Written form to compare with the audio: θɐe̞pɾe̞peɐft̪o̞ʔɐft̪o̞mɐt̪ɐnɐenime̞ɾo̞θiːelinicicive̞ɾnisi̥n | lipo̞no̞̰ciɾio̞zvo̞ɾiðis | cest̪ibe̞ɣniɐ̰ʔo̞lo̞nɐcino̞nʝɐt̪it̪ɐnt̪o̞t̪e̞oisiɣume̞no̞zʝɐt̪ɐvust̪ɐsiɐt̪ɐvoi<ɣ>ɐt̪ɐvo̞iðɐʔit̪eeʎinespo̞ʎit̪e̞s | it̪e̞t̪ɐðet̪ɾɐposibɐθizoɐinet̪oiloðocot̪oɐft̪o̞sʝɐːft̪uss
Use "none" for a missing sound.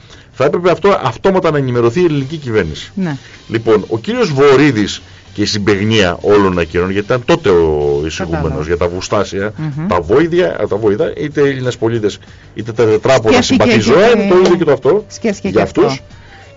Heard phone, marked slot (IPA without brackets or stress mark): ð